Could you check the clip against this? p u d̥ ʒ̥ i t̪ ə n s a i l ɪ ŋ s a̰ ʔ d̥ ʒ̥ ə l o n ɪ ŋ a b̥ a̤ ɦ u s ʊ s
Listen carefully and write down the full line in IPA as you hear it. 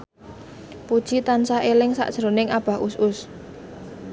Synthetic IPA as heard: p u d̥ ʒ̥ i t̪ a n s a e l ɪ ŋ s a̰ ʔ d̥ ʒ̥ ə ɾ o n ɪ ŋ a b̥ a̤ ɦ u s ʊ s